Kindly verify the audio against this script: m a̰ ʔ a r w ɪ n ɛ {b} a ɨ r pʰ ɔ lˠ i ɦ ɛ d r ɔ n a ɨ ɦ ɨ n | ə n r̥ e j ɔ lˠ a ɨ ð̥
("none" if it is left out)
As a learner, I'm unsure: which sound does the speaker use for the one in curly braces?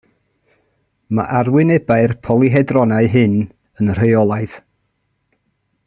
b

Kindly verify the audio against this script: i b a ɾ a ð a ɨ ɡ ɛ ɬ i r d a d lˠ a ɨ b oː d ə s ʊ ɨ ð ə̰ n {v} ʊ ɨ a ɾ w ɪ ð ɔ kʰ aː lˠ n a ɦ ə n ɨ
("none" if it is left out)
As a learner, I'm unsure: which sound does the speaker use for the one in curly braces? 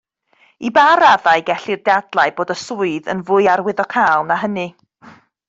v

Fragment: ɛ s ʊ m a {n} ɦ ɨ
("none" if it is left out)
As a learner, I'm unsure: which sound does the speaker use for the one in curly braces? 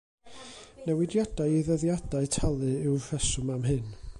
m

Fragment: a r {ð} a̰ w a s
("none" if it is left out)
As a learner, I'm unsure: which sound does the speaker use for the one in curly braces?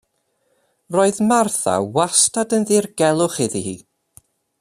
θ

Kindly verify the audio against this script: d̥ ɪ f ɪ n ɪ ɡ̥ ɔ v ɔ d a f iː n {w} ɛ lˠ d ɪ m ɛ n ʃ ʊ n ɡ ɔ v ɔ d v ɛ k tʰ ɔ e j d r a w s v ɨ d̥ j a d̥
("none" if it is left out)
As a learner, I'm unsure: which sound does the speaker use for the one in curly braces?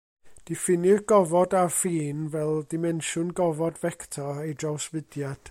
v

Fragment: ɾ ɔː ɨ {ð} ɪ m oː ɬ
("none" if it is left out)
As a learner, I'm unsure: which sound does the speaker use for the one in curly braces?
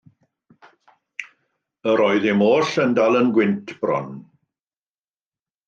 ð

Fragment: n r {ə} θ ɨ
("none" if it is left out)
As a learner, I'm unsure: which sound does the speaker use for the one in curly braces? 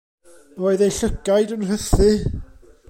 ə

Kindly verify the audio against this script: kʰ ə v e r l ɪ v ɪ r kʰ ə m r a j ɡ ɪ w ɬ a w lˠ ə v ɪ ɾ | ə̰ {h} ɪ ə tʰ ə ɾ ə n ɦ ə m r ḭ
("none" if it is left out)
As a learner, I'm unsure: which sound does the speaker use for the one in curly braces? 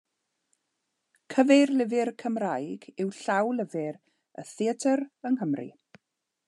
θ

